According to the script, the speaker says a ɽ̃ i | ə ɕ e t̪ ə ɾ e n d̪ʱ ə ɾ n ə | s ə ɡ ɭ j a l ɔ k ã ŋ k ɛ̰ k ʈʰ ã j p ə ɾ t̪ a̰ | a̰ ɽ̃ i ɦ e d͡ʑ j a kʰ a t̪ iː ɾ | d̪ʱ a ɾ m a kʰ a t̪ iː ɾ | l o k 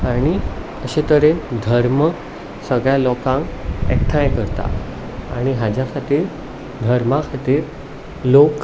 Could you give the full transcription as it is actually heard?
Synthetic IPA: a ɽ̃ i | ə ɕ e t̪ ə ɾ e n d̪ʱ ə ɾ m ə | s ə ɡ ɭ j a l ɔ k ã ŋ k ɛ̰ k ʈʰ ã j k ə ɾ t̪ a̰ | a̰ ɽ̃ i ɦ a d͡ʑ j a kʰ a t̪ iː ɾ | d̪ʱ ə ɾ m a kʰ a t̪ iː ɾ | l o k